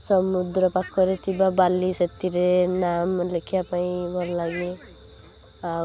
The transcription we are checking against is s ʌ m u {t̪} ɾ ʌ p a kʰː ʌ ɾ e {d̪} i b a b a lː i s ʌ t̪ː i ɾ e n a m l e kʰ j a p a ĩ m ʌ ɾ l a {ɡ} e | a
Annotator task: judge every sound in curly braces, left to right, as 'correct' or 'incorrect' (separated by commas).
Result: incorrect, incorrect, correct